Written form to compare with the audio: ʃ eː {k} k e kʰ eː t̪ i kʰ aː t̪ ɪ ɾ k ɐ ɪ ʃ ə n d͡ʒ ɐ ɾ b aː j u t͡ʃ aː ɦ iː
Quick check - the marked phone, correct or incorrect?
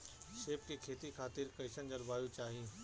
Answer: incorrect